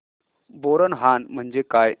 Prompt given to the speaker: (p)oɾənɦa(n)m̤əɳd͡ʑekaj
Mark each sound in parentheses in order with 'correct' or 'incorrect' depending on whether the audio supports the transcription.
incorrect: b, correct

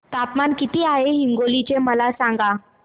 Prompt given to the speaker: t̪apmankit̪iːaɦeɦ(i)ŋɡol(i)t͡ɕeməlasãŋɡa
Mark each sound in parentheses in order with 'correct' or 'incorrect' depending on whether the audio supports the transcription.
correct, correct

